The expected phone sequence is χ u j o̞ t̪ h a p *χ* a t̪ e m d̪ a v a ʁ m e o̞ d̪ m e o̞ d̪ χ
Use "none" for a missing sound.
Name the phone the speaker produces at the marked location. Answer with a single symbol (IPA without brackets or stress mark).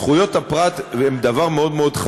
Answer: ʁ